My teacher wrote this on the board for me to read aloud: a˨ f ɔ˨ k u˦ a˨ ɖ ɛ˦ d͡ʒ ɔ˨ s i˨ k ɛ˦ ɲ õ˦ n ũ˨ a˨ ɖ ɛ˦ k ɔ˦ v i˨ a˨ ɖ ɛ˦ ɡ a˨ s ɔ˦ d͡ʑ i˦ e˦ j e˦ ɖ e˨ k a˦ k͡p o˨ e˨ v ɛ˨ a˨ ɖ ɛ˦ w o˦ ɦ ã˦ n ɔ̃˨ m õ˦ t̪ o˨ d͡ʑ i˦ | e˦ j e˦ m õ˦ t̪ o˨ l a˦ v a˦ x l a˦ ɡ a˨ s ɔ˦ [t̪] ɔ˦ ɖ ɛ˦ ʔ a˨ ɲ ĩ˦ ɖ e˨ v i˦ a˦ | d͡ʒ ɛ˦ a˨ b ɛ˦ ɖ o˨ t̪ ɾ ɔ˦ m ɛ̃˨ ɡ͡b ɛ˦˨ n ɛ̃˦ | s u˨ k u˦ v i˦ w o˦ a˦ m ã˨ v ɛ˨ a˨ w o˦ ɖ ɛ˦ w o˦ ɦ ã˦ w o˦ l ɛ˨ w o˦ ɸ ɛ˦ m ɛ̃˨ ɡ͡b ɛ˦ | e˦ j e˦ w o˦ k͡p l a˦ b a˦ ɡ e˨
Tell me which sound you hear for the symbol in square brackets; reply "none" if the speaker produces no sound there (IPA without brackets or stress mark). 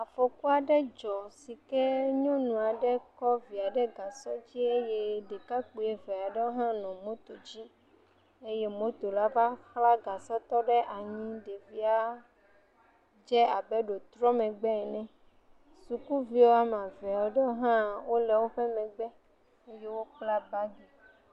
t̪